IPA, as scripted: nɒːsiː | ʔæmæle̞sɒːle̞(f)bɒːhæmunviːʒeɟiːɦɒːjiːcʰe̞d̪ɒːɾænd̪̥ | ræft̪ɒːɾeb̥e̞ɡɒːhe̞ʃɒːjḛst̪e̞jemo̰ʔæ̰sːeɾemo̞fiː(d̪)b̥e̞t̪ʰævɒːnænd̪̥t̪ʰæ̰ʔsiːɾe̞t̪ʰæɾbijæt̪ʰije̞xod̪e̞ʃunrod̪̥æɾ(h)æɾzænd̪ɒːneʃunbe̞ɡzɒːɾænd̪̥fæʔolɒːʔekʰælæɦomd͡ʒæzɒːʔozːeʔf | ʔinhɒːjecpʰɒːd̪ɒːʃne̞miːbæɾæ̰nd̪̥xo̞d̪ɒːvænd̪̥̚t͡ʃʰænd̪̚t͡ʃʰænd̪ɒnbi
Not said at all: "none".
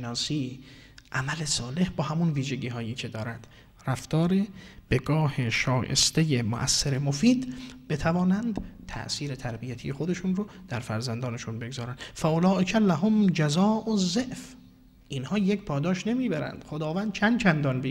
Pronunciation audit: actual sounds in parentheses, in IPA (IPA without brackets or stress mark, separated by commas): h, d̪, f